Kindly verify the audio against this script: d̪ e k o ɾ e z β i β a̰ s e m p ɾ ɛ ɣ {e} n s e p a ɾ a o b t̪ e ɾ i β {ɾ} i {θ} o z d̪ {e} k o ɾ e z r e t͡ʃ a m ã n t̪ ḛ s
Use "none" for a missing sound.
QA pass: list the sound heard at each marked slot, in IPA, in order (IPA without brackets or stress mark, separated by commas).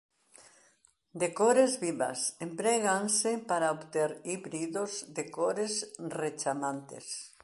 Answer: a, ɾ, ð, e